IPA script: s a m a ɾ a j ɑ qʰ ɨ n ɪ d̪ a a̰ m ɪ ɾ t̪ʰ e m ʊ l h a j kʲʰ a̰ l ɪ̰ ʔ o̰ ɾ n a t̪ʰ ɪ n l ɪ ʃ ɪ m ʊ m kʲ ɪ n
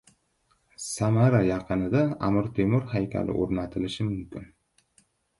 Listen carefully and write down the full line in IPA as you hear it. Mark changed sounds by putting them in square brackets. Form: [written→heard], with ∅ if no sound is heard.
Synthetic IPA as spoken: s a m a ɾ a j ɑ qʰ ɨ n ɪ d̪ a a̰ m ɪ ɾ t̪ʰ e m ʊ [l→ɾ] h a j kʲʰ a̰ l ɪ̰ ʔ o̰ ɾ n a t̪ʰ ɪ [n→∅] l ɪ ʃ ɪ m ʊ m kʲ ɪ n